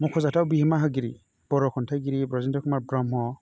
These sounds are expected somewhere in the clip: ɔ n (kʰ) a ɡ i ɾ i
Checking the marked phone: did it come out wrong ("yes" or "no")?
yes